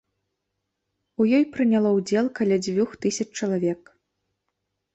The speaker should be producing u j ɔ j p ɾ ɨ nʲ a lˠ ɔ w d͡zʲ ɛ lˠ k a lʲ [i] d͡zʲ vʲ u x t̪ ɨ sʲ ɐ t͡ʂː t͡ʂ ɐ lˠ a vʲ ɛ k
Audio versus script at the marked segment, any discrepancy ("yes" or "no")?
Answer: yes